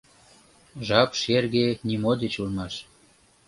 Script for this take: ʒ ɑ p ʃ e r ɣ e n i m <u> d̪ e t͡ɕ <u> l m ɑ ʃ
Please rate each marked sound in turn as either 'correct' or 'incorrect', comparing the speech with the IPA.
incorrect, correct

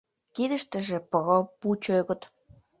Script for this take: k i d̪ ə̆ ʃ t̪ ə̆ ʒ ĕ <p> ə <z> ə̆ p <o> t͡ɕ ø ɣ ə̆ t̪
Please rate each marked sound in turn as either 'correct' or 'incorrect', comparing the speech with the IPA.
correct, incorrect, incorrect

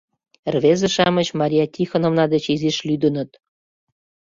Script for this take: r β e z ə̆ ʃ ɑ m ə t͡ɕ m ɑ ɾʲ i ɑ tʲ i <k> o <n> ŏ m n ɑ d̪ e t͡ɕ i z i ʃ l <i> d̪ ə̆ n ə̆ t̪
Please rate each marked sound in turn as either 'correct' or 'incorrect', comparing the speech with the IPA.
incorrect, correct, incorrect

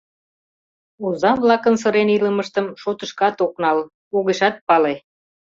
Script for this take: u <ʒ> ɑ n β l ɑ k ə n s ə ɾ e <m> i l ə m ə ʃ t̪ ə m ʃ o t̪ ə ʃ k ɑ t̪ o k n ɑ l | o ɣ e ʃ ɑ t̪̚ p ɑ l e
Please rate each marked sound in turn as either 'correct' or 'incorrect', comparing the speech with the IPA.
incorrect, incorrect

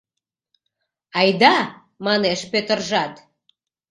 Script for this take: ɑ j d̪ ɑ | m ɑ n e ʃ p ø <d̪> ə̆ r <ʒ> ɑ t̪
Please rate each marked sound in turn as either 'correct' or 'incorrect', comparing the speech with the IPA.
incorrect, correct

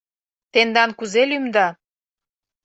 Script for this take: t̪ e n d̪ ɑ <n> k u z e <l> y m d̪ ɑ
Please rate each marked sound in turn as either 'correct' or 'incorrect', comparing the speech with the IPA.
correct, correct

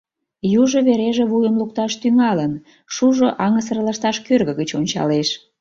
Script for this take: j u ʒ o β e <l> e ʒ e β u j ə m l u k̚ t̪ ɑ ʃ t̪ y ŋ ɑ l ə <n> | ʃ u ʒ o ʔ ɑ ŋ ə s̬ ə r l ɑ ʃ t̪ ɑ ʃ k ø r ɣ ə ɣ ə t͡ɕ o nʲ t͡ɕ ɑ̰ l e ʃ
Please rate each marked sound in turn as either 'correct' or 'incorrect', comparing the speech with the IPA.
incorrect, correct

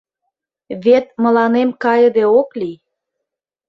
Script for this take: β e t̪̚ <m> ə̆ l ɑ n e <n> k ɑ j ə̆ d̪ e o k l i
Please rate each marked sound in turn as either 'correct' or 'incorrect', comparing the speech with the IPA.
correct, incorrect

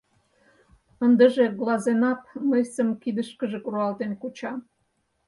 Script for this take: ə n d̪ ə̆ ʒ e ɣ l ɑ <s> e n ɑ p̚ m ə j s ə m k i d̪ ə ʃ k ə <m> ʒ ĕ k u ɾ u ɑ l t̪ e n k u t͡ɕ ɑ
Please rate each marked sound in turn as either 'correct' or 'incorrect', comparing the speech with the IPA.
incorrect, incorrect

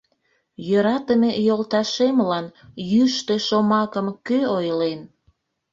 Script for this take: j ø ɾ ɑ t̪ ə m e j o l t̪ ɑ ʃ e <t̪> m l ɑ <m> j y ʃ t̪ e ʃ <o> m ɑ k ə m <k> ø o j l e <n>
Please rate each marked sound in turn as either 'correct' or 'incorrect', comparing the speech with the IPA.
incorrect, incorrect, correct, correct, correct

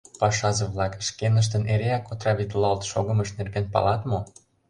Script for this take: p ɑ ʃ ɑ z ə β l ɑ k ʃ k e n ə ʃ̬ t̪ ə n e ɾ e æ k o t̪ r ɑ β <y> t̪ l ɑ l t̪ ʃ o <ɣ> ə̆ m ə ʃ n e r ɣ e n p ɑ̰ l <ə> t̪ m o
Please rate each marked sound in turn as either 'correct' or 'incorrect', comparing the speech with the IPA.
incorrect, correct, incorrect

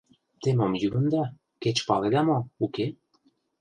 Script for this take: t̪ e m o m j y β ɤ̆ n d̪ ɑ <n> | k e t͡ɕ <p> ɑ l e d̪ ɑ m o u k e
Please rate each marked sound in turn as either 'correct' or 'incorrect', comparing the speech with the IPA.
incorrect, correct

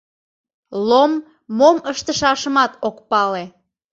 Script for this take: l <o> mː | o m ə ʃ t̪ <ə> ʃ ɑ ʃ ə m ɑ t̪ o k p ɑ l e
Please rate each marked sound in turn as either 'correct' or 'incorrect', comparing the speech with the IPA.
correct, correct

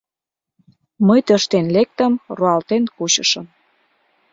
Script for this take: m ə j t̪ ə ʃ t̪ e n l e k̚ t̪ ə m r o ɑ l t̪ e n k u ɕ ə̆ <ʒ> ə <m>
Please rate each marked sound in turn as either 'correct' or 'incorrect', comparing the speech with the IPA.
incorrect, correct

